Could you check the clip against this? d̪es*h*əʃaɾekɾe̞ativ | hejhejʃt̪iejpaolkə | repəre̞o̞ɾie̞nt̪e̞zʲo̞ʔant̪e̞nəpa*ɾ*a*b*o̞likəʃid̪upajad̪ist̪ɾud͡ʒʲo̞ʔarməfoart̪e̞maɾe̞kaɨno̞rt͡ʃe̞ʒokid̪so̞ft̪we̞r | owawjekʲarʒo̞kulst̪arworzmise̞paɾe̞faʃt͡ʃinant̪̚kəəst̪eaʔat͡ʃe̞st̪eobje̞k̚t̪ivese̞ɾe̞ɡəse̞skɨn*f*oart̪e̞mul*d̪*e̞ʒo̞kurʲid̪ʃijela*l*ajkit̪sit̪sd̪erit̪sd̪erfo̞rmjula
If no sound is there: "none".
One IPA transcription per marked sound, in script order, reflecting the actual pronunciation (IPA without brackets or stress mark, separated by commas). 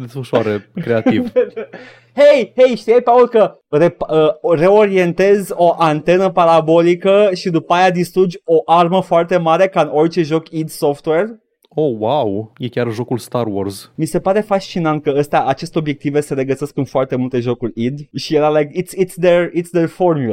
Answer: f, ɾ, b, f, t̪, l